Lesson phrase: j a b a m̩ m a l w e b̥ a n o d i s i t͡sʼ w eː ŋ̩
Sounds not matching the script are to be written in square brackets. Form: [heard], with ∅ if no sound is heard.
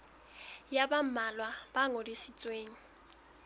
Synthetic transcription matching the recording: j a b a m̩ m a l w [a] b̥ a [ŋ] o d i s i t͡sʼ w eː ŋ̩